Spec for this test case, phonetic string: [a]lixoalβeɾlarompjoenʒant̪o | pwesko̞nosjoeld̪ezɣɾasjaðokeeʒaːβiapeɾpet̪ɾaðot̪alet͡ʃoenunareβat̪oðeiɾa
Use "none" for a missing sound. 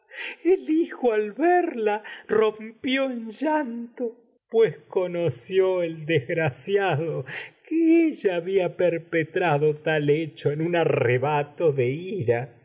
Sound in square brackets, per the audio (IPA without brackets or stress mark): e